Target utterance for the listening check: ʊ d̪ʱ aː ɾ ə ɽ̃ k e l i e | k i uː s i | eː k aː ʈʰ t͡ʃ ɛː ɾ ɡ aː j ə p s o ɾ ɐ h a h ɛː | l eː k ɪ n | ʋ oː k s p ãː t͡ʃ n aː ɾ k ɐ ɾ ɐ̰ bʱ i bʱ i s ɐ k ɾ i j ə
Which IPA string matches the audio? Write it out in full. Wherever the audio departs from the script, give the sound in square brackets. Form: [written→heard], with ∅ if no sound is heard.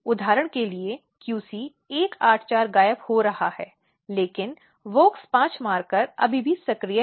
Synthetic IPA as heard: ʊ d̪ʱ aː ɾ ə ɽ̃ k e l i e | k [i→j] uː s i | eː k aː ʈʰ t͡ʃ [ɛː→aː] ɾ ɡ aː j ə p [s→h] o ɾ ɐ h a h ɛː | l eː k ɪ n | ʋ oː k s p ãː t͡ʃ [n→m] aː ɾ k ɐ ɾ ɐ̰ bʱ i bʱ i s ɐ k ɾ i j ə